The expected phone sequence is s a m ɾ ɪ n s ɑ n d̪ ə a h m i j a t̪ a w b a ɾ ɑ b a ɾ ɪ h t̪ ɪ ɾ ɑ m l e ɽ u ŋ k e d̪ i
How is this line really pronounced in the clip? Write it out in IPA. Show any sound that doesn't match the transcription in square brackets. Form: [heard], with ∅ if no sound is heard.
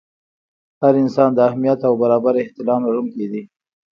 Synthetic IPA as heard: [h] a [∅] ɾ ɪ n s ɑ n d̪ ə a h m i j a t̪ a w b a ɾ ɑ b a ɾ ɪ h t̪ ɪ [l] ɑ m l [a] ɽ u ŋ k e d̪ i